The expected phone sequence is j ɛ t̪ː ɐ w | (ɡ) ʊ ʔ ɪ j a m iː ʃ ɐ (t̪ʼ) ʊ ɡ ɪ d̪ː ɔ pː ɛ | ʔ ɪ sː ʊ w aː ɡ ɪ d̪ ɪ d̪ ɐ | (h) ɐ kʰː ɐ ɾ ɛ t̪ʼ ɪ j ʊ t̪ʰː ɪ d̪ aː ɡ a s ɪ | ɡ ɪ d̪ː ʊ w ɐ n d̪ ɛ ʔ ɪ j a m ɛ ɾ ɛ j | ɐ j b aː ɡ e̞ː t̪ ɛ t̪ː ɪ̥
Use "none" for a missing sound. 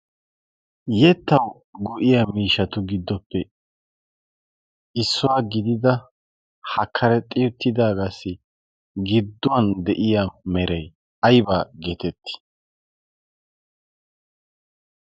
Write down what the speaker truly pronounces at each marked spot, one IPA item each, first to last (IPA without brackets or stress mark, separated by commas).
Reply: ɡ, t̪, h